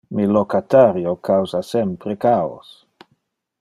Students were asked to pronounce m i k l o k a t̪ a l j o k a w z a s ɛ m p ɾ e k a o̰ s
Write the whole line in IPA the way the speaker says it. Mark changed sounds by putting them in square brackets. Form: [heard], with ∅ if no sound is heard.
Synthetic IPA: m i [∅] l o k a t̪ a [ɾ] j o k a w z a s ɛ m p ɾ e k a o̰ s